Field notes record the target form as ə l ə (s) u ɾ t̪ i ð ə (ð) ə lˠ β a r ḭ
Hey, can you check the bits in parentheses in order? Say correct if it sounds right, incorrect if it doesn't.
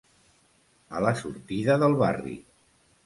correct, correct

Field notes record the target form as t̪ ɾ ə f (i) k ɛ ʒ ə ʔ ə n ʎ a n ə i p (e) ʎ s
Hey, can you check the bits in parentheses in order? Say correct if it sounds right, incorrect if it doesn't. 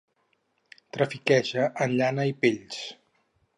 correct, correct

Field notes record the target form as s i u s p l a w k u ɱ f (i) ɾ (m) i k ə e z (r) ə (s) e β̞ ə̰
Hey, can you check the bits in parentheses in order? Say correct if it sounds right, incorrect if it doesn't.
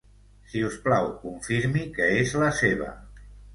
correct, correct, incorrect, correct

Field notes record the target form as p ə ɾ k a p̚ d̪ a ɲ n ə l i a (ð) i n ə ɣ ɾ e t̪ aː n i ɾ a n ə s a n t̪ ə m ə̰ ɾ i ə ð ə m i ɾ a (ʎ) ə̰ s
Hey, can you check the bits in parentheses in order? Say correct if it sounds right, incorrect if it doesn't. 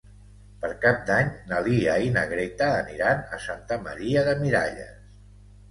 incorrect, correct

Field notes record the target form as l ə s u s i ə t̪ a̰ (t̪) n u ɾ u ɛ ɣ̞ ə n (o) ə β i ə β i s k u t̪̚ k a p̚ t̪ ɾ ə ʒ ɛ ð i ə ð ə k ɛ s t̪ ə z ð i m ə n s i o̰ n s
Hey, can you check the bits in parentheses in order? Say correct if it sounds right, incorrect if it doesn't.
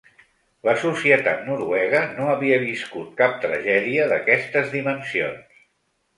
correct, correct

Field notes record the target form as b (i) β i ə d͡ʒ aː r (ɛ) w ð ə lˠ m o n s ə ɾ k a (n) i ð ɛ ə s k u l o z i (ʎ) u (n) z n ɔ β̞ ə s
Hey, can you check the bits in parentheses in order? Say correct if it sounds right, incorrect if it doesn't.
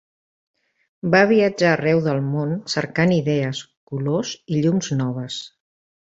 incorrect, correct, correct, correct, incorrect

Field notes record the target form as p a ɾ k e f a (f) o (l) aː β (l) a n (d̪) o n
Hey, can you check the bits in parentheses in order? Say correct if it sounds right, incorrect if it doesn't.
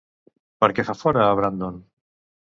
correct, incorrect, incorrect, correct

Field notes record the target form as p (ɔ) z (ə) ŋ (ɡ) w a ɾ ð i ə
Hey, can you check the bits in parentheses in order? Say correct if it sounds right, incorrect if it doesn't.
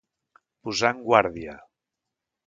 incorrect, incorrect, correct

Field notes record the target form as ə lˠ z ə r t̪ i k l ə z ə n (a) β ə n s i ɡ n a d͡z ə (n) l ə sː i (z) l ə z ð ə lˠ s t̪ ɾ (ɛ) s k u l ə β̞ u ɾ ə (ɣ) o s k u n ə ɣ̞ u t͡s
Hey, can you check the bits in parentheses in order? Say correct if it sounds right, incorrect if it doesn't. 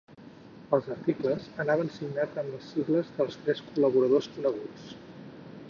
correct, incorrect, incorrect, correct, incorrect

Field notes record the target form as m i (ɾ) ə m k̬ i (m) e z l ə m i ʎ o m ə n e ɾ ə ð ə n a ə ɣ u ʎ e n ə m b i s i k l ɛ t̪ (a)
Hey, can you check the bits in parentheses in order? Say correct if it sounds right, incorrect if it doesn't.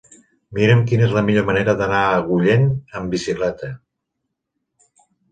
correct, incorrect, incorrect

